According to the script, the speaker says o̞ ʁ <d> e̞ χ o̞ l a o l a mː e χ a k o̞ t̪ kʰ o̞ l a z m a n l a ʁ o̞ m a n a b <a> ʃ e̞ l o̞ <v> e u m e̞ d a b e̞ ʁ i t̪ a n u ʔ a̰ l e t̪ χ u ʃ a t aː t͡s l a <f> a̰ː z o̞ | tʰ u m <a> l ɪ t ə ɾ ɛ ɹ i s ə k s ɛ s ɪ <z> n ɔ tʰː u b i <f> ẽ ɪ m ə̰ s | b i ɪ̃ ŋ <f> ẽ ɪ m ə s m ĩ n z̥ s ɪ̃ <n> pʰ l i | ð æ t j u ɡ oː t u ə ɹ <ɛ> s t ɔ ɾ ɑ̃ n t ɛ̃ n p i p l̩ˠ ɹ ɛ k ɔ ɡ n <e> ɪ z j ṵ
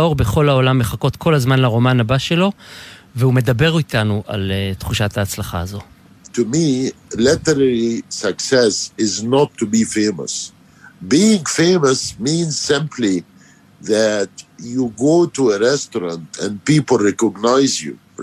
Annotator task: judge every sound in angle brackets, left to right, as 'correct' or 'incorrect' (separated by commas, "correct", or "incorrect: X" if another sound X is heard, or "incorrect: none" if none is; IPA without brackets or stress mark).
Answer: incorrect: b, correct, correct, incorrect: χ, incorrect: i, correct, correct, correct, incorrect: m, correct, incorrect: a